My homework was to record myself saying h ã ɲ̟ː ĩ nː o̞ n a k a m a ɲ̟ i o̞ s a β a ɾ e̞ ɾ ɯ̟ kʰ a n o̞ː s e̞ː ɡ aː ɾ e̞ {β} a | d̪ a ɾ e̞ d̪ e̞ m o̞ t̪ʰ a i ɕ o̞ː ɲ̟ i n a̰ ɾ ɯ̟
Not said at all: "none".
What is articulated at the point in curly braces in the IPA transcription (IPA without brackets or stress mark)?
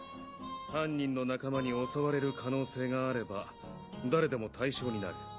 b